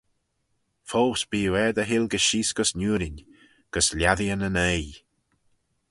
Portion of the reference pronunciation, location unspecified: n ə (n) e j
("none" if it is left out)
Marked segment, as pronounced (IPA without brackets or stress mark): n